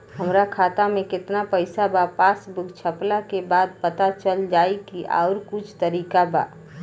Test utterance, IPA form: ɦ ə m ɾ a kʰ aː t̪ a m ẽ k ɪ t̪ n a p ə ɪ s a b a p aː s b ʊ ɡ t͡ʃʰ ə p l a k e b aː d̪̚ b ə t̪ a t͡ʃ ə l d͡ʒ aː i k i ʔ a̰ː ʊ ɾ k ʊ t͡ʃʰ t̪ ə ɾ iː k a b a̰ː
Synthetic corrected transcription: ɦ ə m ɾ a kʰ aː t̪ a m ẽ k ɪ t̪ n a p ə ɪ s a b a p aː s b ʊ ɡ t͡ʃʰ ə p l a k e b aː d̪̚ p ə t̪ a t͡ʃ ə l d͡ʒ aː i k i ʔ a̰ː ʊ ɾ k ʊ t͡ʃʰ t̪ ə ɾ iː k a b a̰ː